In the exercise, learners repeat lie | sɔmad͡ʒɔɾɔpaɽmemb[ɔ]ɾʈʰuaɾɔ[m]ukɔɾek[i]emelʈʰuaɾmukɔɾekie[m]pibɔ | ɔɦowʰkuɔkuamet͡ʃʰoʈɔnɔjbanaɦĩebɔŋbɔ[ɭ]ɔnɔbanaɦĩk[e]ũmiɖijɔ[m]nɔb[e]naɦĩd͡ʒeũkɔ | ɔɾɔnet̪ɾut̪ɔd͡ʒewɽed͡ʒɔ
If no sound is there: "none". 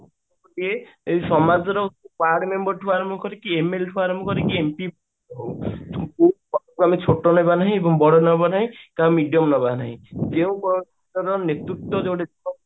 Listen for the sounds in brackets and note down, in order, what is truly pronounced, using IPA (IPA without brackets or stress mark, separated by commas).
ɔ, m, i, m, ɽ, a, m, a